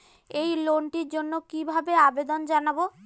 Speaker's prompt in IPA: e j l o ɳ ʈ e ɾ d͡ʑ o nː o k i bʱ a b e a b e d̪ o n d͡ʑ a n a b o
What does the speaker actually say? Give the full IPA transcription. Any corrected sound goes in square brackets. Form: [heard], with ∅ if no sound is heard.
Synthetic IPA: e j l o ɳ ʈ [i] ɾ d͡ʑ o nː o k i bʱ a b e a b e d̪ o n d͡ʑ a n a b o